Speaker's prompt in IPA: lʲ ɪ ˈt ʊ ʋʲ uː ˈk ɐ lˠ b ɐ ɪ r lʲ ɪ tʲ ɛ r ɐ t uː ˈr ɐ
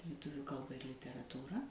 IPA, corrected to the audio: lʲ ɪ ˈt ʊ ʋʲ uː ˈk ɐ lˠ b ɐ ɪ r lʲ ɪ tʲ ɛ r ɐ t uː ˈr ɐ